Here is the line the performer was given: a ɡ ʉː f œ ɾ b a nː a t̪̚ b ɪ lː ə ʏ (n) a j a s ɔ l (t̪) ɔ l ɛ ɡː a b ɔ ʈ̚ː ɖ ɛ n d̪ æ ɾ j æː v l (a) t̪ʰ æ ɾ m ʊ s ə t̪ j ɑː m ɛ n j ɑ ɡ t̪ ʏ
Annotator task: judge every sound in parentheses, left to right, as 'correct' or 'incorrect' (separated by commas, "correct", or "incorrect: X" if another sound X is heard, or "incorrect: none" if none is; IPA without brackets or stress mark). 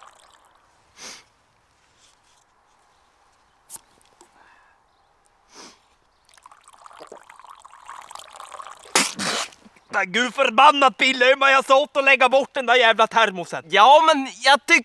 incorrect: m, correct, correct